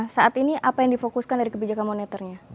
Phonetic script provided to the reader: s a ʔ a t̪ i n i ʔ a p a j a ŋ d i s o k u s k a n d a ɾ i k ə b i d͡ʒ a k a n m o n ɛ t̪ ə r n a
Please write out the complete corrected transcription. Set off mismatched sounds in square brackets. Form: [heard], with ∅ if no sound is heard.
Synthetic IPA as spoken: s a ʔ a t̪ i n i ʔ a p a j a ŋ d i [f] o k u s k a n d a ɾ i k ə b i d͡ʒ a k a n m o n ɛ t̪ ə r [ɲ] a

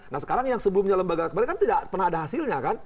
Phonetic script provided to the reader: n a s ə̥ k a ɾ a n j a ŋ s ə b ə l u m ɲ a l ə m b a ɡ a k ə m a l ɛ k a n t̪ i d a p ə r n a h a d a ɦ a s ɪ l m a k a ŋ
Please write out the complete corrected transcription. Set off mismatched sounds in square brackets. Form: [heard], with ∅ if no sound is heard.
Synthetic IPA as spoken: n a s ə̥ k a ɾ a [ŋ] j a ŋ s ə b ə l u m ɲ a l ə m b a ɡ a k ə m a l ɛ k a n t̪ i d a p ə r n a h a d a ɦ a s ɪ l [ɲ] a k a [n]

